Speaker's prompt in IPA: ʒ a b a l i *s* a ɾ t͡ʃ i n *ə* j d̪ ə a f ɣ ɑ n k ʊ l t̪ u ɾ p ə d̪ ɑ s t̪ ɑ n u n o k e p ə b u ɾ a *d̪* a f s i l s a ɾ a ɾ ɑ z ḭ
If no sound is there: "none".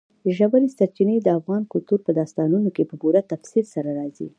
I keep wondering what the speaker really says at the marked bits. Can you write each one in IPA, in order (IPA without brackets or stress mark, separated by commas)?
s, ə, t̪